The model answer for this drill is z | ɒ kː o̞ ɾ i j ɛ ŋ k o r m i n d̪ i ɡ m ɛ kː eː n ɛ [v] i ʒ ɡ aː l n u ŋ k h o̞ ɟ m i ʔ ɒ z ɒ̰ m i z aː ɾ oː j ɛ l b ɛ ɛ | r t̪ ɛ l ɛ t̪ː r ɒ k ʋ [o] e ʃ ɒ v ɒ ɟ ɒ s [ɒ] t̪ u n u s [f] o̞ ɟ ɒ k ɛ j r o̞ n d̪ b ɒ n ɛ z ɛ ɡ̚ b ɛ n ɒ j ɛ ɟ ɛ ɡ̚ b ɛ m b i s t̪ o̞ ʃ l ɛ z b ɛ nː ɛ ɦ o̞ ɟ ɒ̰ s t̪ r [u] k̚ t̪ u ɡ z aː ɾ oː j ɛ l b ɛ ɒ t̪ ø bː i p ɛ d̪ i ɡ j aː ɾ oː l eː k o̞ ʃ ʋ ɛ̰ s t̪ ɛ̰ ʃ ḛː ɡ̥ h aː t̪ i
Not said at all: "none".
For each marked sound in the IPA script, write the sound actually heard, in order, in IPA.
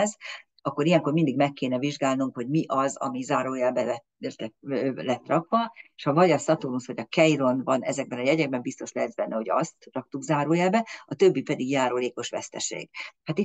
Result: v, ɒ, ɒ, h, ɒ

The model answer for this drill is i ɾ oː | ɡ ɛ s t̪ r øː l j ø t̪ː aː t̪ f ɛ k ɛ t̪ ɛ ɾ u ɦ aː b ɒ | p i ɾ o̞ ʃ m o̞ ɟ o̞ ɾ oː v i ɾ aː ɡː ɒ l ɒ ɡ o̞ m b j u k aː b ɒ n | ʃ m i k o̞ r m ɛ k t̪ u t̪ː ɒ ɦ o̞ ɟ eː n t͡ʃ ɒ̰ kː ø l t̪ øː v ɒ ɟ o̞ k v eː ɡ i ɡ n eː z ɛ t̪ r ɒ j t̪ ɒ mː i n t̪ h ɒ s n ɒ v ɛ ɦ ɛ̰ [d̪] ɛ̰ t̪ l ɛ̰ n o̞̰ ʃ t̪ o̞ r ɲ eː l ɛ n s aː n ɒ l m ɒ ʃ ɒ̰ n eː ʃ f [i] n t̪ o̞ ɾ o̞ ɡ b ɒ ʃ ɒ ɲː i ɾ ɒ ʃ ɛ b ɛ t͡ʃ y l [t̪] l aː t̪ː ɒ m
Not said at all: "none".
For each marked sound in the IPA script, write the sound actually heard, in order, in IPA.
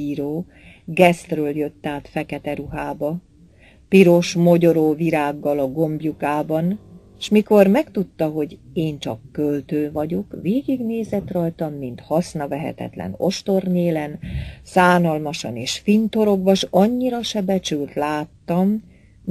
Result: t̪, i, t̪

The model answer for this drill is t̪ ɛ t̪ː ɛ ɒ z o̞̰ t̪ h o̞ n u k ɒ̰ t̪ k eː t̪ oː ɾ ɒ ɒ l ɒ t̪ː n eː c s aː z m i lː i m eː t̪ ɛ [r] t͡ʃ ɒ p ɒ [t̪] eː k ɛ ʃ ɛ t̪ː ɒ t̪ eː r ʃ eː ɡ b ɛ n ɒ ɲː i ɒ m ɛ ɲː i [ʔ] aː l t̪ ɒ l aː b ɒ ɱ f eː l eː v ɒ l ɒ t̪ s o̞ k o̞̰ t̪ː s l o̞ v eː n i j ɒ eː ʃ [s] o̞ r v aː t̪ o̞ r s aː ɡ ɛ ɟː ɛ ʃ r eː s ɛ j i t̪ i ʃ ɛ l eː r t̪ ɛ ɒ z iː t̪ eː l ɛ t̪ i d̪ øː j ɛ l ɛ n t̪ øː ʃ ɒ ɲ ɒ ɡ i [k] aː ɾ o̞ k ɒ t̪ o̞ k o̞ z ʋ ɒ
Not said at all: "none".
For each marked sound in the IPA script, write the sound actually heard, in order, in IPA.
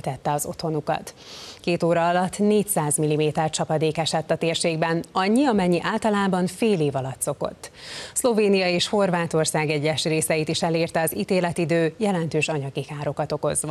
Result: r, d̪, ʔ, h, k

